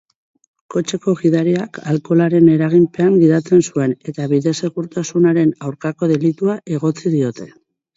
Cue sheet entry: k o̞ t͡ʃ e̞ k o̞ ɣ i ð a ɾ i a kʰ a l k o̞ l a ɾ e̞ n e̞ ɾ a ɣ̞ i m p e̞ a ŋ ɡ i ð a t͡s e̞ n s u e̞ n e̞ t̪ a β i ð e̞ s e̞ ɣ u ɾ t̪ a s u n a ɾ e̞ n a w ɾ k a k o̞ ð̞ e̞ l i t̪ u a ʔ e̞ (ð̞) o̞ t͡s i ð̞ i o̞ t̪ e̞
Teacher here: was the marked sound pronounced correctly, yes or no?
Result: no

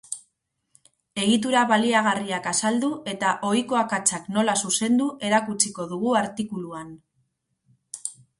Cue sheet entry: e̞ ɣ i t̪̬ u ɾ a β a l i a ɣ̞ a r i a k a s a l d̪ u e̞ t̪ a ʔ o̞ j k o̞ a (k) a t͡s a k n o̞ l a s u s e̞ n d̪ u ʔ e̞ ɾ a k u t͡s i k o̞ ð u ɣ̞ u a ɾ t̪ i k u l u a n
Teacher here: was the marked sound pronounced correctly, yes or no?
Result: yes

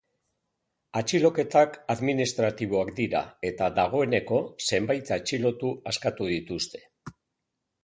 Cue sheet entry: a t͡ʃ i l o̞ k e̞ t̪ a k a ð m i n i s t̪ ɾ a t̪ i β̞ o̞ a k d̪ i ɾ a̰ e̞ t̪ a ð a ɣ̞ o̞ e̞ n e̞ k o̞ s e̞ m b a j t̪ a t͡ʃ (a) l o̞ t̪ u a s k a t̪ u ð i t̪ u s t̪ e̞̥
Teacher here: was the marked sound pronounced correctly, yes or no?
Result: no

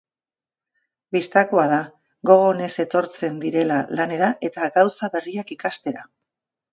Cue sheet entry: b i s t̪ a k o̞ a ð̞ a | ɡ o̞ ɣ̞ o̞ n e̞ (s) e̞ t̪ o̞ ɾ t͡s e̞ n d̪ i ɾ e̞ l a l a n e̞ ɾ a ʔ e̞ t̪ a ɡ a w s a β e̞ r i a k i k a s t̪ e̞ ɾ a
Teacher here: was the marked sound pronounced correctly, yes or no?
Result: yes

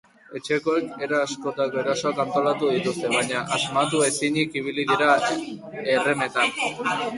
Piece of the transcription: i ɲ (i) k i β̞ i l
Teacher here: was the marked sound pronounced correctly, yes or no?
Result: yes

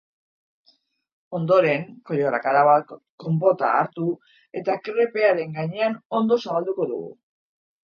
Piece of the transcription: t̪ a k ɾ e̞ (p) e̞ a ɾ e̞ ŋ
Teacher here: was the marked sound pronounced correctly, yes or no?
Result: yes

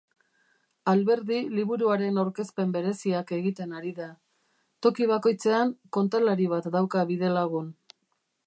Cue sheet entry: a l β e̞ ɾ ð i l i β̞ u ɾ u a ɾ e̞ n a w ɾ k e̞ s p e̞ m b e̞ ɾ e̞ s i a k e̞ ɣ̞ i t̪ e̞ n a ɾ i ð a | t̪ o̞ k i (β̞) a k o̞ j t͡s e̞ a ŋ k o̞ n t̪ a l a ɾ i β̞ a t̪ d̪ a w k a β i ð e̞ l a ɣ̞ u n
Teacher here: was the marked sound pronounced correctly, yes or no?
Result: yes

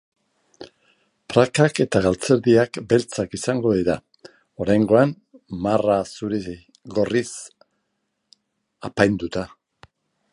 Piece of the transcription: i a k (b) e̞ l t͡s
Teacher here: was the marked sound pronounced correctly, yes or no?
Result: yes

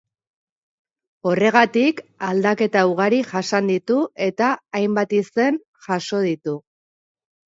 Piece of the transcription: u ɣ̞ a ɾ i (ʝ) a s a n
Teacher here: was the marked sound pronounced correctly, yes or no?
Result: yes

